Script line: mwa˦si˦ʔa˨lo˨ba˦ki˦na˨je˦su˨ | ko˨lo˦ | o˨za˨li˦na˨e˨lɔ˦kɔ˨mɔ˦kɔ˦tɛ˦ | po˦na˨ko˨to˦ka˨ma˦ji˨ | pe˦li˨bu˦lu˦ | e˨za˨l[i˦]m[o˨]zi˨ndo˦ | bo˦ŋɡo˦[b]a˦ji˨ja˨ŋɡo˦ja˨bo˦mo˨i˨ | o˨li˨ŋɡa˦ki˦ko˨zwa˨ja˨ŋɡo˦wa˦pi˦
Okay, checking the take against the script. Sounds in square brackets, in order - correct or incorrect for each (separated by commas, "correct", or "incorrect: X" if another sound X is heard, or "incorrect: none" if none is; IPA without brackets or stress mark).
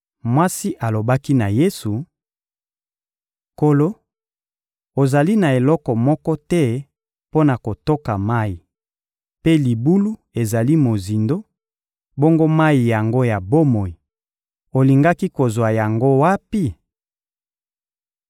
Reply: correct, correct, incorrect: m